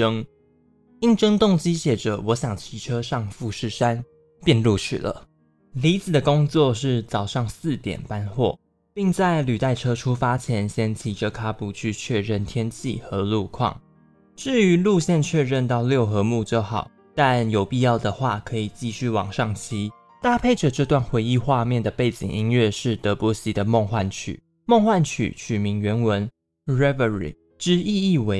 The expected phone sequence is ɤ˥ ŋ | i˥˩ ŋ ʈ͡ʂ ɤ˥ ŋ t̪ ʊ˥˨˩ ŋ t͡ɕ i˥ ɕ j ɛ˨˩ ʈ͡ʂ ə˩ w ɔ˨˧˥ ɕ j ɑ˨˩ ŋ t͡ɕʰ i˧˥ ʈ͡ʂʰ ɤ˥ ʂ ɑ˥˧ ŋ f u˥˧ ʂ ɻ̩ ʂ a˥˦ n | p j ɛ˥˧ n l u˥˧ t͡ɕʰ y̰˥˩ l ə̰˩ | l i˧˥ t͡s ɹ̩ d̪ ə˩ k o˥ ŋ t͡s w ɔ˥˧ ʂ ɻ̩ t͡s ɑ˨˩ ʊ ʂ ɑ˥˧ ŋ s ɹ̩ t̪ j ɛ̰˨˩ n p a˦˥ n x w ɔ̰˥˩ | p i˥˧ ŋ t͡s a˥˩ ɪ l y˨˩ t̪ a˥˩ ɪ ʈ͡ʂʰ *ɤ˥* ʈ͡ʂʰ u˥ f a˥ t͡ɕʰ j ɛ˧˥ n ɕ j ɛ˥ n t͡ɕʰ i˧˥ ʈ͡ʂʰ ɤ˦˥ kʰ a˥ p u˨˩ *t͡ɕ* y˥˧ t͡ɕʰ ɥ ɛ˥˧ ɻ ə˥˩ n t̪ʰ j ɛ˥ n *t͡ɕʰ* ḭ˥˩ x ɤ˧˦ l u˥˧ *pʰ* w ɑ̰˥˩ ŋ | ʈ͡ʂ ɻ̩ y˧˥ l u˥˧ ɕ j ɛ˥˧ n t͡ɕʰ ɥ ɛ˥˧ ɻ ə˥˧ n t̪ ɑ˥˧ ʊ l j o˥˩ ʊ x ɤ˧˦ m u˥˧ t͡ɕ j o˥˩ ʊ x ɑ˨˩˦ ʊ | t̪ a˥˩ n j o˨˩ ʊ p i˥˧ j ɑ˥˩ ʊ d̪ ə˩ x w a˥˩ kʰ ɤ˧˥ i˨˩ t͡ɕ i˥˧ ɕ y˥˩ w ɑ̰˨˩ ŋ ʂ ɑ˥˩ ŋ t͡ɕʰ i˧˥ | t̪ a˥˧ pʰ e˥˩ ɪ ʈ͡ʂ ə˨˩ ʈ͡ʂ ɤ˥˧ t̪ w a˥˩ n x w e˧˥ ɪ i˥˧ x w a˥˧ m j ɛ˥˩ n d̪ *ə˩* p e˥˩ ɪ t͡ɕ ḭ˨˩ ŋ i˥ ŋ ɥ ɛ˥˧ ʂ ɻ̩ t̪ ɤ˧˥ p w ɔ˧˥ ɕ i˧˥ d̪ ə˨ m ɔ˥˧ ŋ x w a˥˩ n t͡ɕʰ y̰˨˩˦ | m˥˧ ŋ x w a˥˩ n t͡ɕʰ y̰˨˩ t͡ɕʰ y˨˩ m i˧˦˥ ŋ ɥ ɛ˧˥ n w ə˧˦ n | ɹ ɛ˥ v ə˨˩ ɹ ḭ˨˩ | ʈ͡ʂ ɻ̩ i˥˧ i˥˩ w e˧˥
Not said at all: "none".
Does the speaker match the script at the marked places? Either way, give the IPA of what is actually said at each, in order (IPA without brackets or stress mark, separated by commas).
ɤ˥, t͡ɕʰ, t͡ɕʰ, kʰ, ə˩